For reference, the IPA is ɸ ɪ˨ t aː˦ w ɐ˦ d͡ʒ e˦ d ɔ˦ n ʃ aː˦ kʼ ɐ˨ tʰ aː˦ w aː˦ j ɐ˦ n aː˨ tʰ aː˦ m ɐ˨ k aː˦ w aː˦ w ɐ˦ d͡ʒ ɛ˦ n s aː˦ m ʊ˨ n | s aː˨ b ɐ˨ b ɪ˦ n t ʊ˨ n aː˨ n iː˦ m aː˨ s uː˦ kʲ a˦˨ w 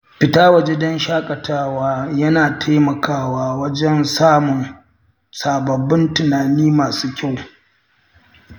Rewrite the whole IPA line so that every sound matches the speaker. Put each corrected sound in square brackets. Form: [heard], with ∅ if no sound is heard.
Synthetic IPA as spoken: ɸ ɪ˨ t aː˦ w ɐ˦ d͡ʒ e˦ d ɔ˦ n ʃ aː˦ kʼ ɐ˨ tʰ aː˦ w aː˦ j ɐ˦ n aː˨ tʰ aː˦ m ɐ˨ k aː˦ w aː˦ w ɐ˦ d͡ʒ ɛ˦ n s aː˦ m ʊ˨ n | s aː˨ b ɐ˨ b ɪ˦ n t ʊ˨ n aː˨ n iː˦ m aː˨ s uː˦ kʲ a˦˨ w